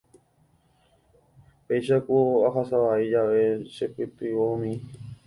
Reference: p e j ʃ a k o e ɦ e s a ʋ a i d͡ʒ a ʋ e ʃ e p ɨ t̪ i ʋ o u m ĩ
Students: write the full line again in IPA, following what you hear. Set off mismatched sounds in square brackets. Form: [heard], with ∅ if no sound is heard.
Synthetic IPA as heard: p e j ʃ a k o [a] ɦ [a] s a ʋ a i d͡ʒ a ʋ e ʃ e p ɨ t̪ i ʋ o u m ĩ